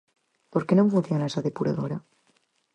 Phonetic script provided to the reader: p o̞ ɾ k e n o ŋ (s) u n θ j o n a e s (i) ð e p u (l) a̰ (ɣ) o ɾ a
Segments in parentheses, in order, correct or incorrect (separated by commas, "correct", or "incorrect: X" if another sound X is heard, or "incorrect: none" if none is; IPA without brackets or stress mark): incorrect: f, incorrect: a, incorrect: ɾ, incorrect: ð